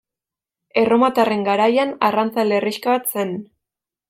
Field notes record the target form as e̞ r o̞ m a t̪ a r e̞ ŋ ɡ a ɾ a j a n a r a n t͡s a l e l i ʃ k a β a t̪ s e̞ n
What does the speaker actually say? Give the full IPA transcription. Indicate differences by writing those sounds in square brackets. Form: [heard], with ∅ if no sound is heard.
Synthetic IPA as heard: e̞ r o̞ m a t̪ a r e̞ ŋ ɡ a ɾ a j a n a r a n t͡s a l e [r] i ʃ k a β a t̪ s e̞ n